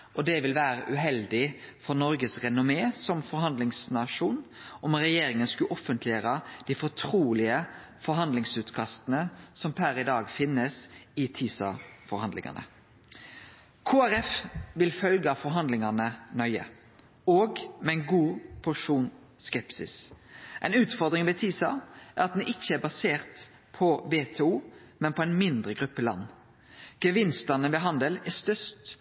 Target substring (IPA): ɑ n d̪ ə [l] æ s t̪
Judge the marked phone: correct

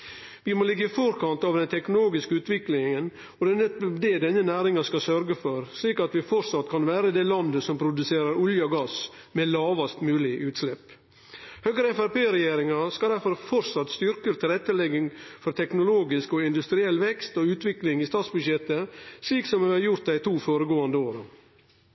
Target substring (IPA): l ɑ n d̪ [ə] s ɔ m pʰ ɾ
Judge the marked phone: correct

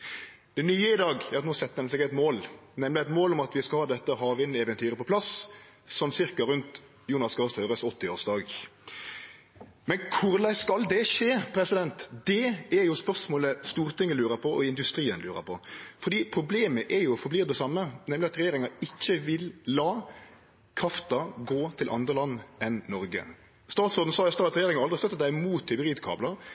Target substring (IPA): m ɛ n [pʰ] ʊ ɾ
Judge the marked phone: incorrect: kʰ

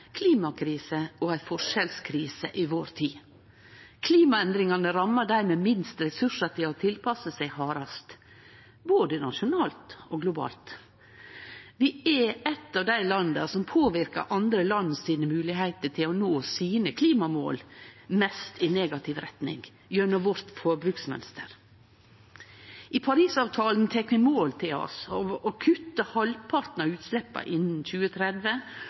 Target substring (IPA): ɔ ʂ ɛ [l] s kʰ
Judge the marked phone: correct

